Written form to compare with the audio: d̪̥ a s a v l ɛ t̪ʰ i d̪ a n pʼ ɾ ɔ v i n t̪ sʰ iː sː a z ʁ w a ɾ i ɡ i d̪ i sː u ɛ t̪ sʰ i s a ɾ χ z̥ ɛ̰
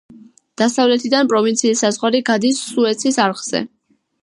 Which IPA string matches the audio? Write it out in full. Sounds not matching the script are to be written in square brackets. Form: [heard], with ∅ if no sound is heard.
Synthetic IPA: d̪̥ a s a v l ɛ t̪ʰ i d̪ a n pʼ ɾ ɔ v i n t̪ sʰ iː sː a z ʁ w a ɾ i ɡ [a] d̪ i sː u ɛ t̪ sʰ i s a ɾ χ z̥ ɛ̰